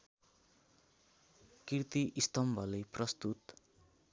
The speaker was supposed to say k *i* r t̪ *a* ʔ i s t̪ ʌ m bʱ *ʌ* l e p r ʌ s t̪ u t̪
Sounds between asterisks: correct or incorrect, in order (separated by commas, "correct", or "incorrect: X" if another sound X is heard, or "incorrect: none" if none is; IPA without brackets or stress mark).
correct, incorrect: i, correct